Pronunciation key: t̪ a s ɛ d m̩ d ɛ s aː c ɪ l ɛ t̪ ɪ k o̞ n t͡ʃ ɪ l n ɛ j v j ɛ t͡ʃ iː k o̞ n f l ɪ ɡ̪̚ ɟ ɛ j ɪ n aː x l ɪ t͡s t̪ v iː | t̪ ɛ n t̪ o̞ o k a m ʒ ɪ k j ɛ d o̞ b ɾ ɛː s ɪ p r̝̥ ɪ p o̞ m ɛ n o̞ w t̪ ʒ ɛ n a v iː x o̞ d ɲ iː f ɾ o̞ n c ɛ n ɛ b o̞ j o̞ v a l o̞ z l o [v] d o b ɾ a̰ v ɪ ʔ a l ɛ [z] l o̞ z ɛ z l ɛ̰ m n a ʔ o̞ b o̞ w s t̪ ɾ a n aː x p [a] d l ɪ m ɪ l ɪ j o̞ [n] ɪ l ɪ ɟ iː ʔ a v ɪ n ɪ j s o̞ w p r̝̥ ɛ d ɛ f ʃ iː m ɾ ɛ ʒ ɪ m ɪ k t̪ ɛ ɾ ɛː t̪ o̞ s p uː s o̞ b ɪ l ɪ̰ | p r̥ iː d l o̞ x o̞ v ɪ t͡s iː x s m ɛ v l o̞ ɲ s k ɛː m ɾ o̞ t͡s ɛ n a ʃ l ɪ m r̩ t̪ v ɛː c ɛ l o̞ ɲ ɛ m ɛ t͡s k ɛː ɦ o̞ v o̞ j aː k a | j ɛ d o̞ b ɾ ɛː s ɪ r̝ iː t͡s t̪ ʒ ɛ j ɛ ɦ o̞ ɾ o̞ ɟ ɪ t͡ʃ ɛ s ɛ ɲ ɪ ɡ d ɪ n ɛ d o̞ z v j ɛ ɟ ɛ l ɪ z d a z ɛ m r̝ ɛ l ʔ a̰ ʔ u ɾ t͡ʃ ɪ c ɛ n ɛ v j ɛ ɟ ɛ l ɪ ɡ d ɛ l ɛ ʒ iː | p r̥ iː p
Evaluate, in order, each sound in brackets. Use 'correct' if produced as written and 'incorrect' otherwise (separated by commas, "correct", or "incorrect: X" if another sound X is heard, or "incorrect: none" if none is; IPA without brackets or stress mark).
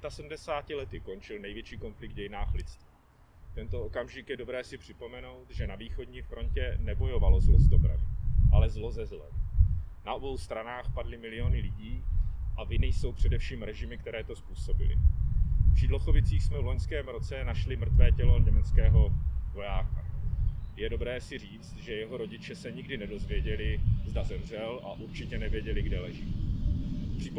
incorrect: z, correct, correct, correct